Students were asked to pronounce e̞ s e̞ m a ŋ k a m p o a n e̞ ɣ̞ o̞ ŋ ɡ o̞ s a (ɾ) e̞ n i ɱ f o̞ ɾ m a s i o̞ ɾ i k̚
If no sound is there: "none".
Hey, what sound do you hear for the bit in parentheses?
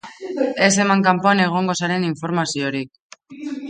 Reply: ɾ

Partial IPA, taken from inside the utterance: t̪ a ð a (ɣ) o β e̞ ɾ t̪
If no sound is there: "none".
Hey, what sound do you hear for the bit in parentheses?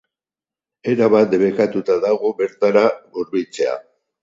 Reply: ɣ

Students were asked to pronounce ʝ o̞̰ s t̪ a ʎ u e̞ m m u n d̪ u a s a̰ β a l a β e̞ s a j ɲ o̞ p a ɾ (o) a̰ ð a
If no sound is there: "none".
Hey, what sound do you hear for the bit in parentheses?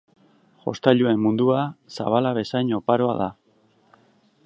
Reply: o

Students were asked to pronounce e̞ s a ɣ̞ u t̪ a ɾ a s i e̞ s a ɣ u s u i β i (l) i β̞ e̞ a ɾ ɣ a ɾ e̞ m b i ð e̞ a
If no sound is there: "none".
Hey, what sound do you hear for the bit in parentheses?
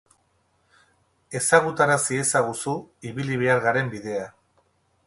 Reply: l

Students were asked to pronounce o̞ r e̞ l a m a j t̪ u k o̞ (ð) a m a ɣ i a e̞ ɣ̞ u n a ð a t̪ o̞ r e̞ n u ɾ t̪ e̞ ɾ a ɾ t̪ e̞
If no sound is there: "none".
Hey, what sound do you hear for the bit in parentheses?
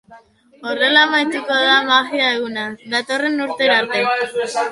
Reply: ð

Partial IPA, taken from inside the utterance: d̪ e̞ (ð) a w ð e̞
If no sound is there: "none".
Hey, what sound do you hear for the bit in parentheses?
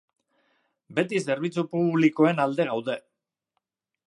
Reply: ɣ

